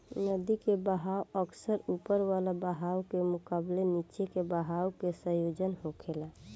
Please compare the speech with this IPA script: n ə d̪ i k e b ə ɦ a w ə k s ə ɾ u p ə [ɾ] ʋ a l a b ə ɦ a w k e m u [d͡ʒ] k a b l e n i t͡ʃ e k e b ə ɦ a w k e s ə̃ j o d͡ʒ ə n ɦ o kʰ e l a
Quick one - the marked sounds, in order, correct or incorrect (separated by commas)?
correct, incorrect